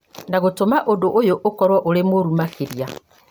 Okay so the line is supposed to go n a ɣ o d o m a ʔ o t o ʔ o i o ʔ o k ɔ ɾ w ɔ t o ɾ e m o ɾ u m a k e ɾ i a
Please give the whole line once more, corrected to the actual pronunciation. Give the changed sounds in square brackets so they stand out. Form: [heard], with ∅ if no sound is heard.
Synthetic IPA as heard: n a ɣ o [t] o m a ʔ o [d] o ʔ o [j] o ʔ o k ɔ ɾ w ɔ [ʔ] o ɾ e m o ɾ u m a k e ɾ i a